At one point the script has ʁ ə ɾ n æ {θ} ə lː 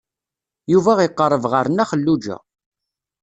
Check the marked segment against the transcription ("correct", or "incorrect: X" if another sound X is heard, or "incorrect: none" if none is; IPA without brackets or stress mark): incorrect: χ